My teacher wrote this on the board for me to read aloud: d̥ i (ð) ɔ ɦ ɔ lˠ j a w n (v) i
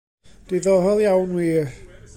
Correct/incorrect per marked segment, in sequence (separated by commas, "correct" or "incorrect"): correct, incorrect